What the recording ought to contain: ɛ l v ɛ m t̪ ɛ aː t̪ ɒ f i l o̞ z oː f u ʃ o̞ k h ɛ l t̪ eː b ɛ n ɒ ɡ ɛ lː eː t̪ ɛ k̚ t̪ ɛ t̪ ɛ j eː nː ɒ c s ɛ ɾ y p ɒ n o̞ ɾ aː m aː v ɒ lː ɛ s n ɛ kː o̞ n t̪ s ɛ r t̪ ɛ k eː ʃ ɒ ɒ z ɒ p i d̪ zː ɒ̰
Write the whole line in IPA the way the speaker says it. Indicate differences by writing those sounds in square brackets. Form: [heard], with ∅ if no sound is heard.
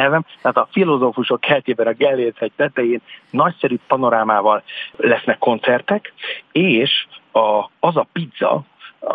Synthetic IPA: ɛ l v ɛ m t̪ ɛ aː t̪ ɒ f i l o̞ z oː f u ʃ o̞ k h ɛ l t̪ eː b ɛ n ɒ ɡ ɛ lː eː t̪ ɛ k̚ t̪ ɛ t̪ ɛ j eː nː ɒ c s ɛ ɾ y p ɒ n o̞ ɾ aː m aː v ɒ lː ɛ s n ɛ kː o̞ n t̪ s ɛ r t̪ ɛ k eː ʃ ɒ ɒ z ɒ p i d̪ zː ɒ̰